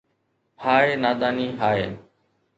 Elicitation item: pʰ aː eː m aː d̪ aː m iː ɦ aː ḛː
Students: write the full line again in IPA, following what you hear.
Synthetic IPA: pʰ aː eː n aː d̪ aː n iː ɦ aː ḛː